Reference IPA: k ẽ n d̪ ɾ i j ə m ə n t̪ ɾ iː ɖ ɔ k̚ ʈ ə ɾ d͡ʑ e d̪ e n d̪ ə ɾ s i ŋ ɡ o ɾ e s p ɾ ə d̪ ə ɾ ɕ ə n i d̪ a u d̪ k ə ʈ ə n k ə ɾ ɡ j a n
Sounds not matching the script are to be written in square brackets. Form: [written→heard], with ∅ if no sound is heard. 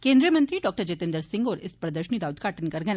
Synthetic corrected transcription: k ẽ n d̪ ɾ i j ə m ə n t̪ ɾ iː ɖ ɔ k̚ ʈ ə ɾ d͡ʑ e [d̪→t̪] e n d̪ ə ɾ s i ŋ ɡ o ɾ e s p ɾ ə d̪ ə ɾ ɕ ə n i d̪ a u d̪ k [ə→a] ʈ ə n k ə ɾ ɡ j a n